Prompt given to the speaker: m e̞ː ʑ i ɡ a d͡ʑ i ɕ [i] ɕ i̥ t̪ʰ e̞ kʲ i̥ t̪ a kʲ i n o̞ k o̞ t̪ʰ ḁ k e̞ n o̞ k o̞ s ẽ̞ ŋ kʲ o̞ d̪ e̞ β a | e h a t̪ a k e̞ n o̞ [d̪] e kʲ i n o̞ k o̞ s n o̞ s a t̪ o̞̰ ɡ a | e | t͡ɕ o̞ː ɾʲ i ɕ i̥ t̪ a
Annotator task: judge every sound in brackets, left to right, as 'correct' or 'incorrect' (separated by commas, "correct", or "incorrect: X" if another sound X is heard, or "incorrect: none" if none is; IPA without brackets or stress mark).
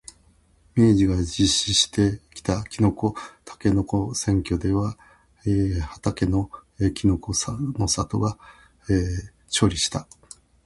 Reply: correct, incorrect: none